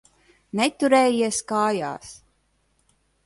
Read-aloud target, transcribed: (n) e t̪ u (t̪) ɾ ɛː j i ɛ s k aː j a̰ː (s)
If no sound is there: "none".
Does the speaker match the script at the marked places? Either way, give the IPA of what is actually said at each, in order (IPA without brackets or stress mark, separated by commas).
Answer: n, none, s